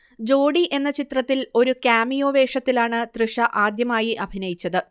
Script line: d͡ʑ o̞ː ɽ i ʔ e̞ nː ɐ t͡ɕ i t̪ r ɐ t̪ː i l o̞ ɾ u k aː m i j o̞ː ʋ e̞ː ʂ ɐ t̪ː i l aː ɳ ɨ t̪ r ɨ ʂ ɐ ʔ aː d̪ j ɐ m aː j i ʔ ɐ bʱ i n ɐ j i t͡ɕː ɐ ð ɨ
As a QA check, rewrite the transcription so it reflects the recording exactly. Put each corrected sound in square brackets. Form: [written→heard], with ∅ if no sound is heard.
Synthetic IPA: d͡ʑ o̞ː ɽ i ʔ e̞ nː ɐ t͡ɕ i t̪ r ɐ t̪ː i l o̞ ɾ u k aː m i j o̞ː ʋ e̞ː ʂ ɐ t̪ː i l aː ɳ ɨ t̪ r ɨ ʂ ɐ ʔ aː d̪ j ɐ m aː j i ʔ ɐ bʱ i n ɐ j i t͡ɕː ɐ ð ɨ